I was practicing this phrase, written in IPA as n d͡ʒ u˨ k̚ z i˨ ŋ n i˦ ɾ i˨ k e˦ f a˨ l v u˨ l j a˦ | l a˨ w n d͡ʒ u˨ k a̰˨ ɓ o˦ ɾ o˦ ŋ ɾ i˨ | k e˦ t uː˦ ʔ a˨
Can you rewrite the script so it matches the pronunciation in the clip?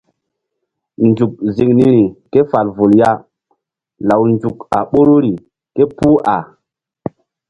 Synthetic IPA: n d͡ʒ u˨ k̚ z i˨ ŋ n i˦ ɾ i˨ k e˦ f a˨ l v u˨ l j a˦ | l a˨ w n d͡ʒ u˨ k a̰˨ ɓ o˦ ɾ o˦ ɾ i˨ | k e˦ p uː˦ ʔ a˨